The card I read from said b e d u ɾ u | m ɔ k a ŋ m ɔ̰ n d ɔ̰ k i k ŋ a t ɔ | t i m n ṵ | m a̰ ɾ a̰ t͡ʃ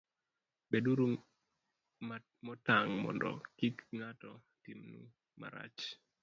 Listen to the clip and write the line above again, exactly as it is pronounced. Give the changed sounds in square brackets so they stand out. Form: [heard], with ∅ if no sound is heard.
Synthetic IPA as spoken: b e d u ɾ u | m ɔ [t] a ŋ m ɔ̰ n d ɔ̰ k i k ŋ a t ɔ | t i m n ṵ | m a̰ ɾ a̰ t͡ʃ